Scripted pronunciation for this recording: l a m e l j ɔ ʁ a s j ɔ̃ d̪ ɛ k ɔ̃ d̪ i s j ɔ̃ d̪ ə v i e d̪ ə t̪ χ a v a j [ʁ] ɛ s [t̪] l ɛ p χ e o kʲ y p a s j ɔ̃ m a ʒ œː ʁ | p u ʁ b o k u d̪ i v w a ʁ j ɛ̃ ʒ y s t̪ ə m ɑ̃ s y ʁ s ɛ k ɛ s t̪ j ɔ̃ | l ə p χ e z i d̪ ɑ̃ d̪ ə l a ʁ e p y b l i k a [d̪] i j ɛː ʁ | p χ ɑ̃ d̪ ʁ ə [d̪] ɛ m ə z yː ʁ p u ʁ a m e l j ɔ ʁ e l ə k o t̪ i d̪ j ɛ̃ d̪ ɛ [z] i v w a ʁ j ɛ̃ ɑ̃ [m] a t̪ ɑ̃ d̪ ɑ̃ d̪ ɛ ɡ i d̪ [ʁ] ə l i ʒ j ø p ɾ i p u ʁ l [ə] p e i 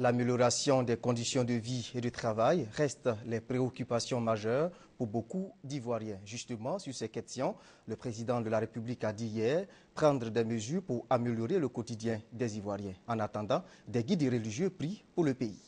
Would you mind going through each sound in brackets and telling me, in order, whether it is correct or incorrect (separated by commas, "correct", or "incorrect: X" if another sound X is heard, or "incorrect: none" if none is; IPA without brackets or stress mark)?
correct, correct, correct, correct, correct, incorrect: n, correct, correct